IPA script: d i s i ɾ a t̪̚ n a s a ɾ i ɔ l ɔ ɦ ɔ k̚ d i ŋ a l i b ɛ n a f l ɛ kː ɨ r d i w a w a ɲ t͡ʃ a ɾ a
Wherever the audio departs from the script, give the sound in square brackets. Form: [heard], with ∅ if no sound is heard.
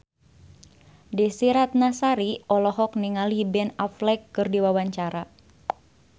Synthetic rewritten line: d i s i ɾ a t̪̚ n a s a ɾ i ɔ l ɔ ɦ ɔ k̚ [n] i ŋ a l i b ɛ n a f l ɛ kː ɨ r d i w a w a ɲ t͡ʃ a ɾ a